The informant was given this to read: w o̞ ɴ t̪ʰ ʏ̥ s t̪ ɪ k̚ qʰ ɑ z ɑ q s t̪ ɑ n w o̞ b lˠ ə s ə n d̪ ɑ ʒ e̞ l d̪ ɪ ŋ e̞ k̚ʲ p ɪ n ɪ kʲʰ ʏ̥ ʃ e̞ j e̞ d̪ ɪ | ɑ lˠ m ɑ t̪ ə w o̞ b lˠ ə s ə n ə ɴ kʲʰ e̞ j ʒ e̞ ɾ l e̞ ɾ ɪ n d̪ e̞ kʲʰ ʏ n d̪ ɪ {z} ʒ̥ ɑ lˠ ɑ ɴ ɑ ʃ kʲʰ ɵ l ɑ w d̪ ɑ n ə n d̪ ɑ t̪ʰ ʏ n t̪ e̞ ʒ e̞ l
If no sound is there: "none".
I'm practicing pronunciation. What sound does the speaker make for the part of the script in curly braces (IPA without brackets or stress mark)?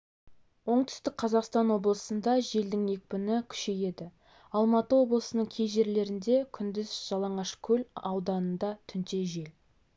z